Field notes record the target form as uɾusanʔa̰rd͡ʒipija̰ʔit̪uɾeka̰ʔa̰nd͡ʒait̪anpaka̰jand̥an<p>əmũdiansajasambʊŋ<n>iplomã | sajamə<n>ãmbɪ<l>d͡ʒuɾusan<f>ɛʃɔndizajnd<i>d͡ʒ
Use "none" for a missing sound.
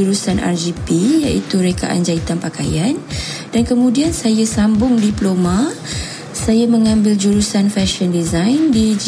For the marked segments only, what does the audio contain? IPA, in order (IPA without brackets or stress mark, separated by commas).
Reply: k, d, ŋ, l, f, i